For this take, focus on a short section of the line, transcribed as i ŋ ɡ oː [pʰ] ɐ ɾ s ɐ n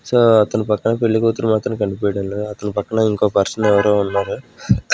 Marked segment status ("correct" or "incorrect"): incorrect